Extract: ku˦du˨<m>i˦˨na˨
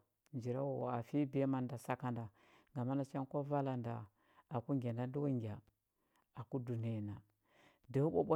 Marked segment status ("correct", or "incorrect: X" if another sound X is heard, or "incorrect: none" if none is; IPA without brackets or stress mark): incorrect: n